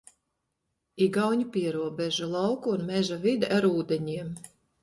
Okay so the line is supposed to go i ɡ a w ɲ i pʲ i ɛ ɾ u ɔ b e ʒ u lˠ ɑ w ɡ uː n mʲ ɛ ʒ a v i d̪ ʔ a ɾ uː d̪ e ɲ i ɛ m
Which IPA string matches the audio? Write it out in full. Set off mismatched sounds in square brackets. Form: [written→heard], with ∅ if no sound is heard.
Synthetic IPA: i ɡ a w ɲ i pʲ i ɛ ɾ u ɔ b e ʒ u lˠ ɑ w [ɡ→k] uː n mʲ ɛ ʒ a v i d̪ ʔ a ɾ uː d̪ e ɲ i ɛ m